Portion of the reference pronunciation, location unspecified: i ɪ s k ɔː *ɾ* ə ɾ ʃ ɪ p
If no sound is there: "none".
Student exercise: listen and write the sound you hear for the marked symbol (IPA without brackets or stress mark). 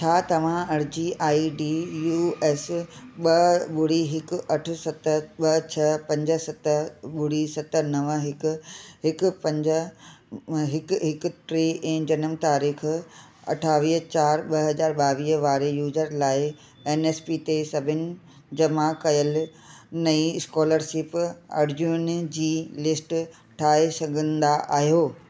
l